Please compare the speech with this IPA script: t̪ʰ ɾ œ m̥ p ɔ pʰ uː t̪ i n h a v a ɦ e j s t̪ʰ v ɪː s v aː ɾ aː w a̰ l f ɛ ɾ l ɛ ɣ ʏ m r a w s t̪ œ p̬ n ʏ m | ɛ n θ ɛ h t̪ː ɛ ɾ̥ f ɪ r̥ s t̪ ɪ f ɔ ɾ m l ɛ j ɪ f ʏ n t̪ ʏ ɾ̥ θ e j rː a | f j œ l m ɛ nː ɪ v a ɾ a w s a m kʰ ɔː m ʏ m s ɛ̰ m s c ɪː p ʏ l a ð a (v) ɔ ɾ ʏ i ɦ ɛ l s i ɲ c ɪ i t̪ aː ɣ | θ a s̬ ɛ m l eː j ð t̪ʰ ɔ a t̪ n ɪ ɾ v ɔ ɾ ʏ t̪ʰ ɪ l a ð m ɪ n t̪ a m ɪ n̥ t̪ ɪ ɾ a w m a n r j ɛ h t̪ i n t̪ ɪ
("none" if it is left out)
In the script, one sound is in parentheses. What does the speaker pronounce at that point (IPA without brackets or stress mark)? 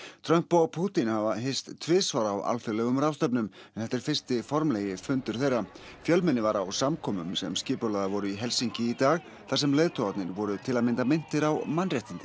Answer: v